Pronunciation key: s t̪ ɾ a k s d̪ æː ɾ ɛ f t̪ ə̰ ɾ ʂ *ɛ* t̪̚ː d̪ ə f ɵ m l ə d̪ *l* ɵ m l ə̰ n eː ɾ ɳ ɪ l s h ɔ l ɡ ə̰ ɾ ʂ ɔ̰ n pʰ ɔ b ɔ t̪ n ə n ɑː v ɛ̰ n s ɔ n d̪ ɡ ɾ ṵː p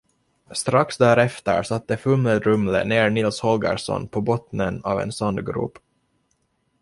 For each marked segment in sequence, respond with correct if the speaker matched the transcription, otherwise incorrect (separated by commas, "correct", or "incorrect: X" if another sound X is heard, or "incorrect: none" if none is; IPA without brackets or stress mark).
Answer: incorrect: a, incorrect: ɾ